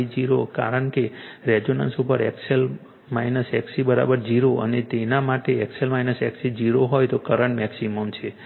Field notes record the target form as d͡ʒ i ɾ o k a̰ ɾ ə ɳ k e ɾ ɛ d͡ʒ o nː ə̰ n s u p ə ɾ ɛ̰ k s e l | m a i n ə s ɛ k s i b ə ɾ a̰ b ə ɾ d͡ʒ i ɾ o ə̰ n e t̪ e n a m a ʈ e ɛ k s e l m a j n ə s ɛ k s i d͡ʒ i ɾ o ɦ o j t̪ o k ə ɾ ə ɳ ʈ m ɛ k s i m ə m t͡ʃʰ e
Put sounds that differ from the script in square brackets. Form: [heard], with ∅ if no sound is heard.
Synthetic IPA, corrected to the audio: d͡ʒ i ɾ o k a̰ ɾ ə ɳ k e ɾ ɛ d͡ʒ o [n] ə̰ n s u p ə ɾ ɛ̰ k s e l | m a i n ə s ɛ k s i b ə ɾ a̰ b ə ɾ d͡ʒ i ɾ o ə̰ n e t̪ e n a m a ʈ e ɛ k s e l m a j n ə s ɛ k s i d͡ʒ i ɾ o ɦ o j t̪ o k ə ɾ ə ɳ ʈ m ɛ k s i m ə m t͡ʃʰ e